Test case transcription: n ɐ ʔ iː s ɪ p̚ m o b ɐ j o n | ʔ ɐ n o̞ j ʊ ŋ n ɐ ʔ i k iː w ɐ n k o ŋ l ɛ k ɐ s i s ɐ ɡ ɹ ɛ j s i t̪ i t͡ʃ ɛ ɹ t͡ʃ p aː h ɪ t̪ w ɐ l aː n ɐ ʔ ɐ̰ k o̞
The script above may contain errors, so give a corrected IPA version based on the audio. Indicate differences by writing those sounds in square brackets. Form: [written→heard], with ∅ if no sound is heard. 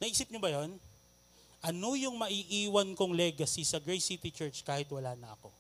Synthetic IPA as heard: n ɐ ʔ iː s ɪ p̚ [m→ɲ] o b ɐ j o n | ʔ ɐ n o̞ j ʊ ŋ [n→m] ɐ ʔ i [k→ʔ] iː w ɐ n k o ŋ l ɛ [k→ɡ] ɐ s i s ɐ ɡ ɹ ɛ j s i t̪ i t͡ʃ ɛ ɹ t͡ʃ [p→k] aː h ɪ t̪ w ɐ l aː n ɐ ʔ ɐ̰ k o̞